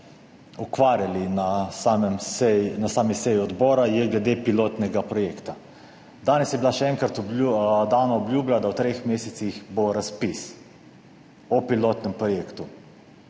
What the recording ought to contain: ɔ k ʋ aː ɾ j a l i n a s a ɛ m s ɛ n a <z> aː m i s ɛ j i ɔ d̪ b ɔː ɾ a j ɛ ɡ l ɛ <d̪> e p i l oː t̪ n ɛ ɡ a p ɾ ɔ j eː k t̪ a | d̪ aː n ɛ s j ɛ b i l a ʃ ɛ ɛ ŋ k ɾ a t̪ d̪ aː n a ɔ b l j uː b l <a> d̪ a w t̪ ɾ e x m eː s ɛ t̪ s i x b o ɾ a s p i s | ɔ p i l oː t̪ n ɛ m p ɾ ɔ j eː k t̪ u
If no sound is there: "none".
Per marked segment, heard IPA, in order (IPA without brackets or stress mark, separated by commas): s, d̪, a